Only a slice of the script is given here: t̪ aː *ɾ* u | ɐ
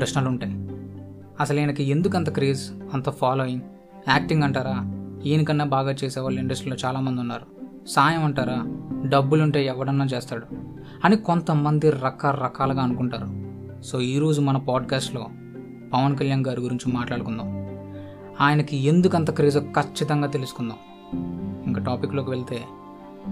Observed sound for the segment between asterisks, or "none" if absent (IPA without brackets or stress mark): ɽ